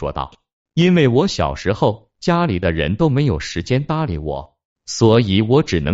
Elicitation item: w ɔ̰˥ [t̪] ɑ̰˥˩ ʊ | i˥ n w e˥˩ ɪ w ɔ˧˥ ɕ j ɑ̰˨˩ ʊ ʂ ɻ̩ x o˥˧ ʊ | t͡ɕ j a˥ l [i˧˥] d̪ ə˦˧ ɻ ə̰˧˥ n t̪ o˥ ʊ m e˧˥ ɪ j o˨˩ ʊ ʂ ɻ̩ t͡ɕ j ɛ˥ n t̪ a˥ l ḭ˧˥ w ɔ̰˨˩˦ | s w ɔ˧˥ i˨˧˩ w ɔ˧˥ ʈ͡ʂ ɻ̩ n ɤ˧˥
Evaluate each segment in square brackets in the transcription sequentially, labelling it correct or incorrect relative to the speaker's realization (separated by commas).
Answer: correct, incorrect